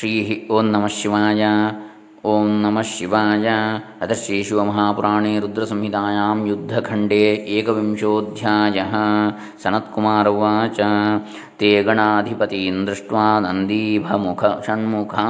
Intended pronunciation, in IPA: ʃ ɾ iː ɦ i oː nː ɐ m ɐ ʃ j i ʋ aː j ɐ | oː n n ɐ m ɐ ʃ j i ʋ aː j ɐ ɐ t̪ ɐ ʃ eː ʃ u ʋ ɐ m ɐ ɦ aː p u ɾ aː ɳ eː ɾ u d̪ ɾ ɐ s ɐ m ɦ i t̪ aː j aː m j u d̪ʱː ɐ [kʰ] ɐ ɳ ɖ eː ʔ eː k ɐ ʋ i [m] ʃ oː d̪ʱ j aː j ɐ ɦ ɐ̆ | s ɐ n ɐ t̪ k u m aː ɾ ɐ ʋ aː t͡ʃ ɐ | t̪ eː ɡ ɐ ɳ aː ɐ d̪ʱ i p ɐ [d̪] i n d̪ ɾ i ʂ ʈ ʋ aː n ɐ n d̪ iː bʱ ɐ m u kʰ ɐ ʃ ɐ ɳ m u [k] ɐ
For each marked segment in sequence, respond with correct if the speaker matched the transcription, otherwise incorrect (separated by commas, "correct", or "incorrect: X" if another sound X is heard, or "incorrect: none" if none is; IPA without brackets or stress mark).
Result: correct, correct, incorrect: t̪, incorrect: kʰ